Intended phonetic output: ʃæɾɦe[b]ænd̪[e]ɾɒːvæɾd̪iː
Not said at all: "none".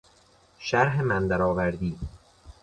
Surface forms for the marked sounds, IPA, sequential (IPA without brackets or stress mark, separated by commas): m, æ